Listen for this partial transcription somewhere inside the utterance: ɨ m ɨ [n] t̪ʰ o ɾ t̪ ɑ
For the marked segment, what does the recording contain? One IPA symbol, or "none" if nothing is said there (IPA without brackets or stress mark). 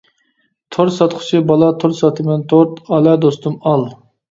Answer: n